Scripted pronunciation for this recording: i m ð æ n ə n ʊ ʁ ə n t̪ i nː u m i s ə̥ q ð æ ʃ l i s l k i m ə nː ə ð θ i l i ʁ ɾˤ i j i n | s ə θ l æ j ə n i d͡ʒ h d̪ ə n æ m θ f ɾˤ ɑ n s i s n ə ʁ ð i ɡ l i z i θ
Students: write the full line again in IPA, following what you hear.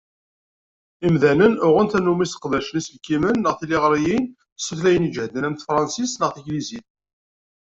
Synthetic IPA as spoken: i m ð æ n ə n ʊ ʁ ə n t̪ æ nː u m i s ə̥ q ð æ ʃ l i s l k i m ə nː ə ʁ θ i l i ʁ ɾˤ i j i n | s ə θ l æ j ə n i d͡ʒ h d̪ ə n æ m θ f ɾˤ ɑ n s i s n ə ʁ θ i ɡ l i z i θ